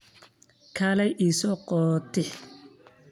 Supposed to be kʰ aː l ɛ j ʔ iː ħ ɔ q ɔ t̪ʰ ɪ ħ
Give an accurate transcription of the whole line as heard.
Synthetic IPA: kʰ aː l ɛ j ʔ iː s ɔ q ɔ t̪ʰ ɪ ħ